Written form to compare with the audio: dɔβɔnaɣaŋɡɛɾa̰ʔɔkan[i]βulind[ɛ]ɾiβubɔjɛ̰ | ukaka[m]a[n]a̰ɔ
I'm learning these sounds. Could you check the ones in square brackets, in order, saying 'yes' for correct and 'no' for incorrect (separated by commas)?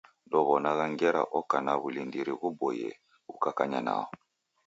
no, no, no, yes